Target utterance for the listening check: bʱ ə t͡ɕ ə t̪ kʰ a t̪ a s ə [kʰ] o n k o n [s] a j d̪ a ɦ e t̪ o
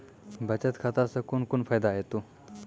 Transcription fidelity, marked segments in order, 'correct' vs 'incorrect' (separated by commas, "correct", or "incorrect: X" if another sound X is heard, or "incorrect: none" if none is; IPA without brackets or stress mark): incorrect: k, incorrect: f